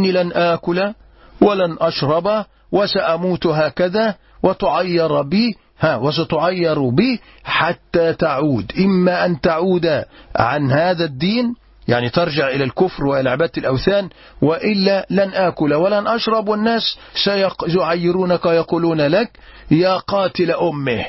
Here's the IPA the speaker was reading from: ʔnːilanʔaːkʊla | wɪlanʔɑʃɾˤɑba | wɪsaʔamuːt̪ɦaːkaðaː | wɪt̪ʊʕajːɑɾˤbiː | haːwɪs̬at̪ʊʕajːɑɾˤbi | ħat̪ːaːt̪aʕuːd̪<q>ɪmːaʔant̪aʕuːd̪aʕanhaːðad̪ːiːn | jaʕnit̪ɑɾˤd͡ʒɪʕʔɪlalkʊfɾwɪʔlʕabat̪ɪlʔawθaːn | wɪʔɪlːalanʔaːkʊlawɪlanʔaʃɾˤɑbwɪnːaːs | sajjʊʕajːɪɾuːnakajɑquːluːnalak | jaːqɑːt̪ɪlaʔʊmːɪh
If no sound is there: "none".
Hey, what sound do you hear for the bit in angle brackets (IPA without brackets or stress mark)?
ʔ